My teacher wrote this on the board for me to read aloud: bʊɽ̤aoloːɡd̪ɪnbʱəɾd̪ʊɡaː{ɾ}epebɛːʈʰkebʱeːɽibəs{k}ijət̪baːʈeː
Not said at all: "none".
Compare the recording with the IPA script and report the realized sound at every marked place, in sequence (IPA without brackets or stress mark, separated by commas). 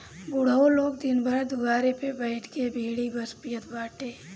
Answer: ɾ, p